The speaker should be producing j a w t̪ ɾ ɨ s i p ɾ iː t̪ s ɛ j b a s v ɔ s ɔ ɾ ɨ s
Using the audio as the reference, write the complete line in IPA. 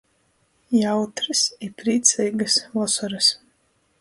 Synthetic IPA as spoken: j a w t̪ ɾ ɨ s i p ɾ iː t̪ s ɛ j ɡ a s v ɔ s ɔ ɾ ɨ s